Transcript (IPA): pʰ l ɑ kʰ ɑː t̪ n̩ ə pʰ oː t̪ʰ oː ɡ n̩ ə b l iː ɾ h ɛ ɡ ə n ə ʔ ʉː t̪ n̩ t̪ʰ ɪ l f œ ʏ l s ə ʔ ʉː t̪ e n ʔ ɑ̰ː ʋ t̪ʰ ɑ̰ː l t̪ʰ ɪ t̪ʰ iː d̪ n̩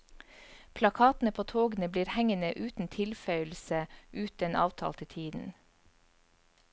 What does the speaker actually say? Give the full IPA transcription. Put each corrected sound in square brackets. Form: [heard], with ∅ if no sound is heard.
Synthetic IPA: pʰ l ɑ kʰ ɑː t̪ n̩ ə pʰ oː t̪ʰ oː ɡ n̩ ə b l iː ɾ h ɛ [ŋ] ə n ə ʔ ʉː t̪ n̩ t̪ʰ ɪ l f œ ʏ l s ə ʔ ʉː t̪ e n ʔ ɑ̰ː ʋ t̪ʰ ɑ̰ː l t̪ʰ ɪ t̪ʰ iː d̪ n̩